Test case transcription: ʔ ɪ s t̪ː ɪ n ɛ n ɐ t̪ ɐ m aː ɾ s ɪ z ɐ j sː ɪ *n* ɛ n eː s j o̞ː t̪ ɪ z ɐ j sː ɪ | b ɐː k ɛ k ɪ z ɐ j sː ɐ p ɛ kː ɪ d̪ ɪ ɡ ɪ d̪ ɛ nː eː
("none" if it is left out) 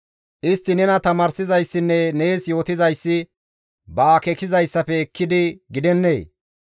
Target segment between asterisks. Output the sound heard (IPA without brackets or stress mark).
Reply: nː